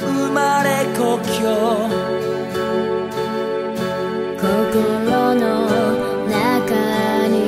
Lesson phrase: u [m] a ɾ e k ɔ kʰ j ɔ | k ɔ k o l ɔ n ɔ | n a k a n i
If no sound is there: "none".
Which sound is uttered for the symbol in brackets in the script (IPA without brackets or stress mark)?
m